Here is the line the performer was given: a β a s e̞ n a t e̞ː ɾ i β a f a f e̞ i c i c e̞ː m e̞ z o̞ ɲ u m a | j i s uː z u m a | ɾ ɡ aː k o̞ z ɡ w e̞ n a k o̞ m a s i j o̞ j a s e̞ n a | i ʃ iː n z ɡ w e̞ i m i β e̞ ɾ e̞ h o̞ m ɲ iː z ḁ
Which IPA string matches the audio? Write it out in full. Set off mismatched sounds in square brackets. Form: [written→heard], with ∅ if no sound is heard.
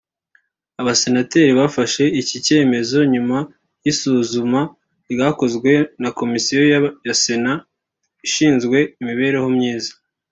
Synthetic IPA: a β a s e̞ n a t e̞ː ɾ i β a f a [f→ʃ] e̞ i c i c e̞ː m e̞ z o̞ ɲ u m a | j i s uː z u m a | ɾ ɡ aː k o̞ z ɡ w e̞ n a k o̞ m [a→i] s i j o̞ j a s e̞ n a | i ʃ iː n z ɡ w e̞ i m i β e̞ ɾ e̞ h o̞ m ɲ iː z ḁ

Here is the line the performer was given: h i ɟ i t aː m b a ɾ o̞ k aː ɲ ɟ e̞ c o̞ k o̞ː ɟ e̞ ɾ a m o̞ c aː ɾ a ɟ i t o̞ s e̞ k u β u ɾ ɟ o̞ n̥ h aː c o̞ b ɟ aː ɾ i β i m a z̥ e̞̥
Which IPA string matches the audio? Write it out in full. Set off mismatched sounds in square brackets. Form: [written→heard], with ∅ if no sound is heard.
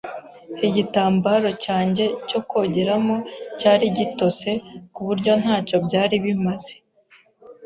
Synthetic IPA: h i ɟ i t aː m b a ɾ o̞ [k→c] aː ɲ ɟ e̞ c o̞ k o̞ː ɟ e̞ ɾ a m o̞ c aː ɾ [a→i] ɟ i t o̞ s e̞ k u β u ɾ ɟ o̞ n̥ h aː c o̞ b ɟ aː ɾ i β i m a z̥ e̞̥

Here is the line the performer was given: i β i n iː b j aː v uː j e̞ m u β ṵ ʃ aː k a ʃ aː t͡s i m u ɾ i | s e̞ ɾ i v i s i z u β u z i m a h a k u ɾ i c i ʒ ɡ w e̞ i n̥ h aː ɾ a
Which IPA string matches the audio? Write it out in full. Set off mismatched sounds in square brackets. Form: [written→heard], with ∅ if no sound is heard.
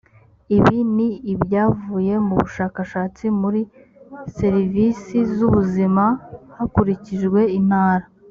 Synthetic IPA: i β i n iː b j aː v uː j e̞ m u β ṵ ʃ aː k a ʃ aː t͡s i m u ɾ i | s e̞ ɾ i v i s i z u β u z i m a h a k u ɾ i c i ʒ ɡ w e̞ i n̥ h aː ɾ a

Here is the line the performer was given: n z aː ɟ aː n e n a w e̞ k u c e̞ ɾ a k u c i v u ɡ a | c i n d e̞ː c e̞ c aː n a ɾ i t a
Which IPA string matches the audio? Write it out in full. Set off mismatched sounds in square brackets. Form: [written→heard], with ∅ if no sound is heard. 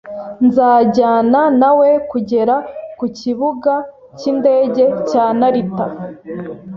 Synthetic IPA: n z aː ɟ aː n [e→a] n a w e̞ k u [c→ɟ] e̞ ɾ a k u c i [v→β] u ɡ a | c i n d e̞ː [c→ɟ] e̞ c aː n a ɾ i t a

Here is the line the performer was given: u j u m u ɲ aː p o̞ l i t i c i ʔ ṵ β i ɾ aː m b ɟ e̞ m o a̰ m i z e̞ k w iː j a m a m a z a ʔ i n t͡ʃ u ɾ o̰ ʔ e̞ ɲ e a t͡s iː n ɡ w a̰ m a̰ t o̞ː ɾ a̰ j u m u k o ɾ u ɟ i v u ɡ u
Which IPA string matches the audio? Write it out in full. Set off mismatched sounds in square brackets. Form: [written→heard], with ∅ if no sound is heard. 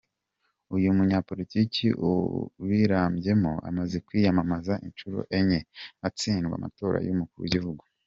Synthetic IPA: u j u m u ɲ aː p o̞ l i t i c i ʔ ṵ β i ɾ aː m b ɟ e̞ m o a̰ m [i→a] z e̞ k w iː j a m a m a z a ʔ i n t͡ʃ u ɾ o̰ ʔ e̞ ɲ e a t͡s iː n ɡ w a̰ m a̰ t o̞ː ɾ a̰ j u m u k [o→u] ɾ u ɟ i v u ɡ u

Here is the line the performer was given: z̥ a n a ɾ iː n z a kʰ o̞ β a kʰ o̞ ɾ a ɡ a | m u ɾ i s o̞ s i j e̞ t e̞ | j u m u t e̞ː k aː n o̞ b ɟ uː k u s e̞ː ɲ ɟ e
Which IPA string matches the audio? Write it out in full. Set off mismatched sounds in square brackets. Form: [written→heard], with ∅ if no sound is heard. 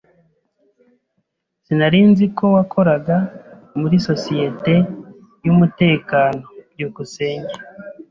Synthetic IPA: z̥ [a→i] n a ɾ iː n z [a→i] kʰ o̞ [β→w] a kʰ o̞ ɾ a ɡ a | m u ɾ i s o̞ s i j e̞ t e̞ | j u m u t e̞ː k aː n o̞ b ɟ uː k u s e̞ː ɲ ɟ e

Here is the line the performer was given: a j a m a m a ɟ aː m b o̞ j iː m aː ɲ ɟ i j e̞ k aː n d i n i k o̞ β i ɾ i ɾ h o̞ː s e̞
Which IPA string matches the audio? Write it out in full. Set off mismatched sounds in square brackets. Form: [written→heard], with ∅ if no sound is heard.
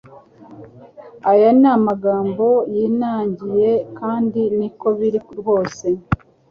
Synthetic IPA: a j a [m→n] a m a [ɟ→ɡ] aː m b o̞ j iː [m→n] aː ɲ ɟ i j e̞ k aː n d i n i k o̞ β i ɾ i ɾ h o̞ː s e̞

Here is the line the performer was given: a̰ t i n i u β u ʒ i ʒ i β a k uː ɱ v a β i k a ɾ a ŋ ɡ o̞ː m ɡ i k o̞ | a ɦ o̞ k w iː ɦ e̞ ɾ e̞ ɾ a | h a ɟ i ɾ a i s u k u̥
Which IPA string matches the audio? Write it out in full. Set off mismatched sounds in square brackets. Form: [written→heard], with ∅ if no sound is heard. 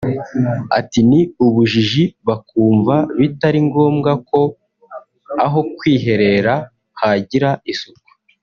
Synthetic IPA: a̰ t i n i u β u ʒ i ʒ i β a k uː ɱ v a β i [k→t] a ɾ [a→i] ŋ ɡ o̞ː m ɡ [i→a] k o̞ | a ɦ o̞ k w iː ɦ e̞ ɾ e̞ ɾ a | h a ɟ i ɾ a i s u k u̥

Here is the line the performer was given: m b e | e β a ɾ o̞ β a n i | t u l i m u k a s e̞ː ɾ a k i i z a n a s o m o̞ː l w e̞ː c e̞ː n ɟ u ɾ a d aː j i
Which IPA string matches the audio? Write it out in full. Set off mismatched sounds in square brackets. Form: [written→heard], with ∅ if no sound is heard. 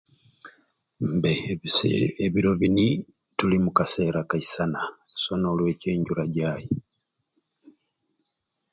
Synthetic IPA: m b e | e β [a→i] ɾ o̞ β [a→i] n i | t u l i m u k a s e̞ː ɾ a k [i→a] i [z→s] a n a s o [m→n] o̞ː l w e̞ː c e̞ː [n→ɲ] ɟ u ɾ a [d→ɟ] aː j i

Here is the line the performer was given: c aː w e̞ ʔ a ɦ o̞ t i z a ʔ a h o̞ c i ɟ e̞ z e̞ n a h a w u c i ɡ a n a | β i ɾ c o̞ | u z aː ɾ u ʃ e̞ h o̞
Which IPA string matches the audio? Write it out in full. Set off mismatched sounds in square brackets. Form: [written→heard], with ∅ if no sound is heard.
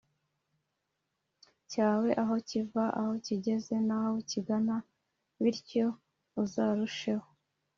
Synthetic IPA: c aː w e̞ ʔ a ɦ o̞ [t→c] i [z→v] a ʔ a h o̞ c i ɟ e̞ z e̞ n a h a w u c i ɡ a n a | β i ɾ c o̞ | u z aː ɾ u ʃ e̞ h o̞

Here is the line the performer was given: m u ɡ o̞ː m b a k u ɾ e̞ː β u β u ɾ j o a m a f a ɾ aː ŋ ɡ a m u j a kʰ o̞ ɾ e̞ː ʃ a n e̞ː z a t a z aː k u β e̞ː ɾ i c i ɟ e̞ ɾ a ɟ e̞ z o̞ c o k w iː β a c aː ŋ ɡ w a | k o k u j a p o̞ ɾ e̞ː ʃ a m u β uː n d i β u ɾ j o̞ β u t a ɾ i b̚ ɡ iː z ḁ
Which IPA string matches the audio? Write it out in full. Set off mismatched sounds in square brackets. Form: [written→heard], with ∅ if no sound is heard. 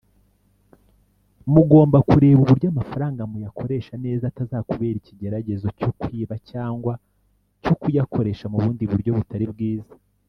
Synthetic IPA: m u ɡ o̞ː m b a k u ɾ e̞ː β u β u ɾ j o a m a f a ɾ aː ŋ ɡ a m u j a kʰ o̞ ɾ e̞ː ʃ a n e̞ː z a t a z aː k u β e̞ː ɾ i c i ɟ e̞ ɾ a ɟ e̞ z o̞ c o k w iː β a c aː ŋ ɡ w a | [k→c] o k u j a [p→k] o̞ ɾ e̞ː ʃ a m u β uː n d i β u ɾ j o̞ β u t a ɾ i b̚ ɡ iː z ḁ

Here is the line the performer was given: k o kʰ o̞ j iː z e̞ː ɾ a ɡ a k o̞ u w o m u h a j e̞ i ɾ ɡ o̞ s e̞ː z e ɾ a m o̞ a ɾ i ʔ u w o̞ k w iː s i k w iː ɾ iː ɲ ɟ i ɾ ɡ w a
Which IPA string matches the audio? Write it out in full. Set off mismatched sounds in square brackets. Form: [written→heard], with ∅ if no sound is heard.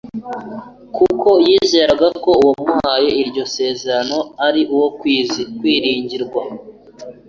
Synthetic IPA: k [o→u] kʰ o̞ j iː z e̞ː ɾ a ɡ a k o̞ u w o m u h a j e̞ i ɾ [ɡ→ɟ] o̞ s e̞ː z e ɾ a [m→n] o̞ a ɾ i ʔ u w o̞ k w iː [s→z] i k w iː ɾ iː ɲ ɟ i ɾ ɡ w a

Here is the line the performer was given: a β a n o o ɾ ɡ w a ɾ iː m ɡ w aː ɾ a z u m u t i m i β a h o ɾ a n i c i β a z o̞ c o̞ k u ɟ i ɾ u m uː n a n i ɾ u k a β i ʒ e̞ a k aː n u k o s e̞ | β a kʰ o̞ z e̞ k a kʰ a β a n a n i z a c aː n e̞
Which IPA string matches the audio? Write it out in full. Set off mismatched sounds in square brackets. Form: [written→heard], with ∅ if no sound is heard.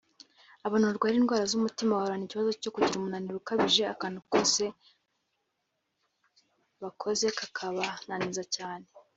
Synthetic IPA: a β a n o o ɾ ɡ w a ɾ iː [m→n] ɡ w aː ɾ a z u m u t i m [i→a] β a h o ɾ a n i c i β a z o̞ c o̞ k u ɟ i ɾ u m [uː→u] n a n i ɾ u k a β i ʒ e̞ a k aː n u k o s e̞ | β a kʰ o̞ z e̞ k a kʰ a β a n a n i z a c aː n e̞

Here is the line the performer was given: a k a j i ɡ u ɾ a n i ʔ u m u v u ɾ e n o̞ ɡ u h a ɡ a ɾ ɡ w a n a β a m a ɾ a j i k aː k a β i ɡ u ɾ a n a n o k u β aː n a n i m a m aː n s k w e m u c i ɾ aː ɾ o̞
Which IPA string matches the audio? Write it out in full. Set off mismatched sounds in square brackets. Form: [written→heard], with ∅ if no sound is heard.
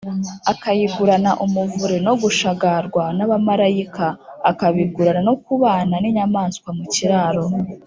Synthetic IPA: a k a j i ɡ u ɾ a n [i→a] ʔ u m u v u ɾ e n o̞ ɡ u [h→ʃ] a ɡ a ɾ ɡ w a n a β a m a ɾ a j i k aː k a β i ɡ u ɾ a n a n o k u β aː n a n i [m→ɲ] a m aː n s k w [e→a] m u c i ɾ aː ɾ o̞

